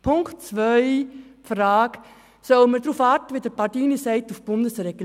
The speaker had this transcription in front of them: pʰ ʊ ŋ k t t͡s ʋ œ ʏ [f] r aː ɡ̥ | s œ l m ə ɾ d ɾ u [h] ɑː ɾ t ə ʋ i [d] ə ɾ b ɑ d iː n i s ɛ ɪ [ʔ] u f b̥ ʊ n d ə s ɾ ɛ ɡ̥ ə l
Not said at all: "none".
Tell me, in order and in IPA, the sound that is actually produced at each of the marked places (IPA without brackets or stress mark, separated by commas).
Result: f, f, d, t